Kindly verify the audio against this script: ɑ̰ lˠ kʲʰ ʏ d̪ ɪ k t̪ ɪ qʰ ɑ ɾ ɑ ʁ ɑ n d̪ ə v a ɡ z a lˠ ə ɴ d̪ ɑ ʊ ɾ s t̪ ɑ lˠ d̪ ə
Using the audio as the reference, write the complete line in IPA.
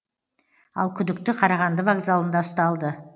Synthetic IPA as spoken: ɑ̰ lˠ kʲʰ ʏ d̪ ɪ k t̪ ɪ qʰ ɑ ɾ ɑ ʁ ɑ n d̪ ə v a ɡ z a lˠ ə n d̪ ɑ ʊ s t̪ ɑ lˠ d̪ ə